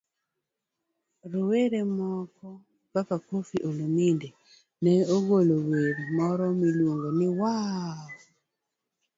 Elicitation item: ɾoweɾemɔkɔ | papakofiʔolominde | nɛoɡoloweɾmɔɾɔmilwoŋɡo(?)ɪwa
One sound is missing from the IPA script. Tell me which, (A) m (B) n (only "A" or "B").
B